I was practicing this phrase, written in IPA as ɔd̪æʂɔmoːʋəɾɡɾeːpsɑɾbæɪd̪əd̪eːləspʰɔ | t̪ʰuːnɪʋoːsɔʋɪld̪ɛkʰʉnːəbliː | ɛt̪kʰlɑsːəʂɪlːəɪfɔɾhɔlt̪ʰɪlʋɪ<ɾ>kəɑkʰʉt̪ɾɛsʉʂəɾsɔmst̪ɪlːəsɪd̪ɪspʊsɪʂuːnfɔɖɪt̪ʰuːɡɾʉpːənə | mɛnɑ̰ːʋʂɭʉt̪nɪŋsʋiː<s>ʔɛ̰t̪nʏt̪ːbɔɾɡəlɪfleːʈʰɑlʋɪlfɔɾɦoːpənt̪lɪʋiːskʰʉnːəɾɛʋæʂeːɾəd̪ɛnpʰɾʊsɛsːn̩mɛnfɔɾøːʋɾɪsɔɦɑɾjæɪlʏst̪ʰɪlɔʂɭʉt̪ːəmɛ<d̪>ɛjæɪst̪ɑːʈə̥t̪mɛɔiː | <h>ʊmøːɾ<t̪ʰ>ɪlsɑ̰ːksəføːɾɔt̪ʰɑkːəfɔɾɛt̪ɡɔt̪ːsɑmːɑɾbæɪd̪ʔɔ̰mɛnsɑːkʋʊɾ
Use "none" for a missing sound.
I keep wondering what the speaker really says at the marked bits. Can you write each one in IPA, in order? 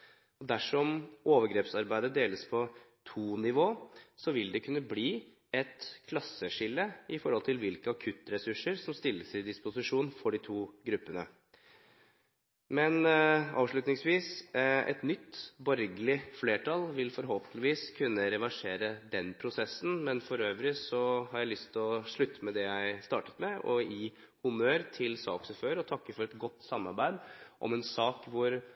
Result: l, s, d̪, h, t̪ʰ

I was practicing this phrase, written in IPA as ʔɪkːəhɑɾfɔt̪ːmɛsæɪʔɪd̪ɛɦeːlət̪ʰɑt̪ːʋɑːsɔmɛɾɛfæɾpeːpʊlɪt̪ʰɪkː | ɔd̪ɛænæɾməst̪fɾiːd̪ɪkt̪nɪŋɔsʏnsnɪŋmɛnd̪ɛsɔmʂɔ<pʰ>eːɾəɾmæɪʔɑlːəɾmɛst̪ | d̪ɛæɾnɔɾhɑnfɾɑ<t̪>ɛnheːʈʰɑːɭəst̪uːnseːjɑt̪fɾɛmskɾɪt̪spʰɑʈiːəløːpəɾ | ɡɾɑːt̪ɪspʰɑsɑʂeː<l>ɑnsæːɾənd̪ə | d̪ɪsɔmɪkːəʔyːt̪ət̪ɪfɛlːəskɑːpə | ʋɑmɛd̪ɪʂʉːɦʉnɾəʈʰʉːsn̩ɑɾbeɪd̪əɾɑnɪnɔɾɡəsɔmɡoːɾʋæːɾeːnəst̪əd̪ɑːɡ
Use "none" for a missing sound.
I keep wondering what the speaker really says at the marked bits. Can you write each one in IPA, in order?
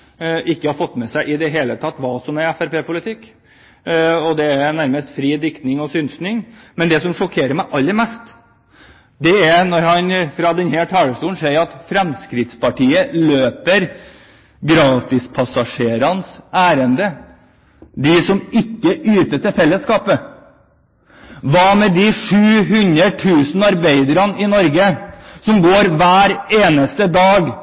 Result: kʰ, d̪, ɾ

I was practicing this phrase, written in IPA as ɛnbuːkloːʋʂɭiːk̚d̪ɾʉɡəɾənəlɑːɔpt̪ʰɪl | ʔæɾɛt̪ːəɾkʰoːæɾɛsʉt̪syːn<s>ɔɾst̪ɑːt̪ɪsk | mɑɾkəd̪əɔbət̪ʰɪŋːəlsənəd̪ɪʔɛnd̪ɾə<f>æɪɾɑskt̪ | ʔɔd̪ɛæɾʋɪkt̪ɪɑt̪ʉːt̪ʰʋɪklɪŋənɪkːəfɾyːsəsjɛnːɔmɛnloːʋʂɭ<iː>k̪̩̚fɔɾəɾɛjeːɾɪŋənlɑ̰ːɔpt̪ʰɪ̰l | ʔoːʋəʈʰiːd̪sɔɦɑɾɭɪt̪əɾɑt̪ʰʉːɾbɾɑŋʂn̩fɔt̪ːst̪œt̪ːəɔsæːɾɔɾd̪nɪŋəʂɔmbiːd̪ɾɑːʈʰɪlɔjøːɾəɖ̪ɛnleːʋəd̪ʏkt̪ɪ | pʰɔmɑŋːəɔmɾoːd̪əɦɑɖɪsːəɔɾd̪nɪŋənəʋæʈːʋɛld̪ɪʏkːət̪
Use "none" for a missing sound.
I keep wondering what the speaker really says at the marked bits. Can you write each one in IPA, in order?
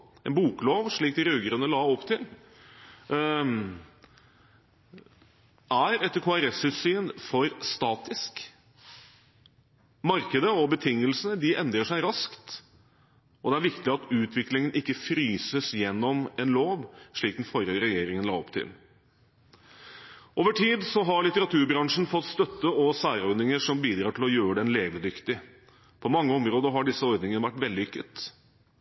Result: f, ʂ, iː

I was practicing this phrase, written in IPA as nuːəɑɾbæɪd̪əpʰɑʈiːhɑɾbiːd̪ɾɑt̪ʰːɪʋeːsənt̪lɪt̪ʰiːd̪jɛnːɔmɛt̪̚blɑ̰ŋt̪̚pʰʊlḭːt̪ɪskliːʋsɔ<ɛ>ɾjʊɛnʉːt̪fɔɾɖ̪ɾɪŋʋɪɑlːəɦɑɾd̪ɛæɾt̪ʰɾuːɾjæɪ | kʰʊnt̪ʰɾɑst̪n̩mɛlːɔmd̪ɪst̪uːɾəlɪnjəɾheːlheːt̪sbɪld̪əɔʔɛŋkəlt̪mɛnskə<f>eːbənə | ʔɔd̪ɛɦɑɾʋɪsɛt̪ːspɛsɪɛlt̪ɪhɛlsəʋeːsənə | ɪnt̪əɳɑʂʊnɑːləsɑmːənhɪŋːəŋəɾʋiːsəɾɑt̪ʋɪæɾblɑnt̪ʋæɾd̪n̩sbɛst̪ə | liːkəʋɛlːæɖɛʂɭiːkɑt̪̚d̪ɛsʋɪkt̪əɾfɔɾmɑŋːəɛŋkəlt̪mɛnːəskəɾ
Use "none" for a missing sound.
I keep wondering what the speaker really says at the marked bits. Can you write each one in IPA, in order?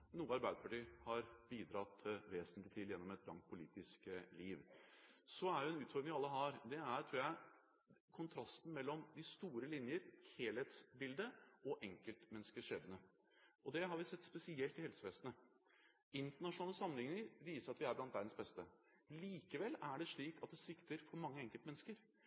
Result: æ, ʂ

